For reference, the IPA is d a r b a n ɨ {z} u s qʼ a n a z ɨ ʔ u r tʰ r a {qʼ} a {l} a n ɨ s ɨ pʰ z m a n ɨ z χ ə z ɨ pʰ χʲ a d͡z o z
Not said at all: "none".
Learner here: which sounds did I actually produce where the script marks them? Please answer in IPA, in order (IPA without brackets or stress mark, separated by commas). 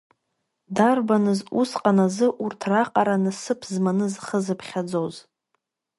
z, qʼ, ɾ